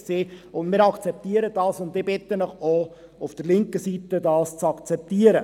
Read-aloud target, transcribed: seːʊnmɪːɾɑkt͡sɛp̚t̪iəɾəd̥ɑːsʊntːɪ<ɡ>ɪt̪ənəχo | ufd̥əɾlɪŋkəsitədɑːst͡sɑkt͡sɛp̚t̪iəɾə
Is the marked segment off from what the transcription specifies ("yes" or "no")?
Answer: yes